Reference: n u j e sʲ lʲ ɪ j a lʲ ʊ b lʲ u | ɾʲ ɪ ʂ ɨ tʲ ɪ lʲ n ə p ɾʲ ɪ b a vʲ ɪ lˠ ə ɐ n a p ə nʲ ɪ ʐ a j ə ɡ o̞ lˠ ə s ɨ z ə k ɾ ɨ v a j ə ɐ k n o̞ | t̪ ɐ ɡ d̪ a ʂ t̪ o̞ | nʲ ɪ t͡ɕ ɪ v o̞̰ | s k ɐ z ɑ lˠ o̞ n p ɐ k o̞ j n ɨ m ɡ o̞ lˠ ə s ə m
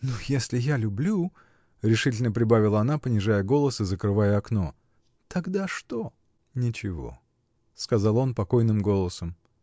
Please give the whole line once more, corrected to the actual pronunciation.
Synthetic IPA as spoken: n u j e sʲ lʲ ɪ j a lʲ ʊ b lʲ u | ɾʲ ɪ ʂ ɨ tʲ ɪ lʲ n ə p ɾʲ ɪ b a vʲ ɪ lˠ ə ɐ n a p ə nʲ ɪ ʐ a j ə ɡ o̞ lˠ ə s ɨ z ə k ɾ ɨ v a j ə ɐ k n o̞ | t̪ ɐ ɡ d̪ a ʂ t̪ o̞ | nʲ ɪ t͡ɕ ɪ v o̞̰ | s k ɐ z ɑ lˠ o̞ n p ɐ k o̞ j n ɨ m ɡ o̞ lˠ ə s ə m